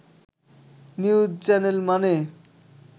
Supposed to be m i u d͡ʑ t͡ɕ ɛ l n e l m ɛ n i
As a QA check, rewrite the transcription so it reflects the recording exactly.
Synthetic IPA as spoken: n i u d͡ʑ t͡ɕ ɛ n e l m a n e